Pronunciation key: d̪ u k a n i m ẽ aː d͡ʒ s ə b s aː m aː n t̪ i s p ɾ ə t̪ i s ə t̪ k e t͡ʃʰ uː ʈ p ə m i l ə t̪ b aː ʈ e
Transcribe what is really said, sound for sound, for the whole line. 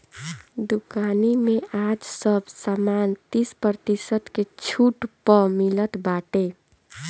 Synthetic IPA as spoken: d̪ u k a n i m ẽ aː d͡ʒ s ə b s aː m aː n t̪ i s p ɾ ə t̪ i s ə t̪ k e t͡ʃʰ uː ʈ p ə m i l ə t̪ b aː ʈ e